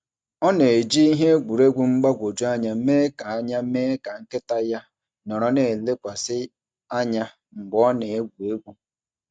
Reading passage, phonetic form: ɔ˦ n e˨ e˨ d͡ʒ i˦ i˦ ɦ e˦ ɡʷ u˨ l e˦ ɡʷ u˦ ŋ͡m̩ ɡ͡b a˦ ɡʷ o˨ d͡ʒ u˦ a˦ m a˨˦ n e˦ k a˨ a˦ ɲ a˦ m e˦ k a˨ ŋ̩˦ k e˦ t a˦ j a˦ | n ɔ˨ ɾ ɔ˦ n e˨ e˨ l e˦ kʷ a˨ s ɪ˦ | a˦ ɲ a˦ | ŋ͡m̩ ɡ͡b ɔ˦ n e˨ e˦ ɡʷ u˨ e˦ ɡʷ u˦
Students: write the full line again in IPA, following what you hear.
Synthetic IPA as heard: ɔ˦ n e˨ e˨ d͡ʒ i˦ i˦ ɦ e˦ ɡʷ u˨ ɾ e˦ ɡʷ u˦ ŋ͡m̩ ɡ͡b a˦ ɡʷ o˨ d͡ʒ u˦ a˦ ɲ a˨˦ m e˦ k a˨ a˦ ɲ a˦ m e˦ k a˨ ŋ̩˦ k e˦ t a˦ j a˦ | n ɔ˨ ɾ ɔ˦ n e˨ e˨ l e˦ kʷ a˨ s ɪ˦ | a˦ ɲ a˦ | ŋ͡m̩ ɡ͡b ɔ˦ n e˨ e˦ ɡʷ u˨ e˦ ɡʷ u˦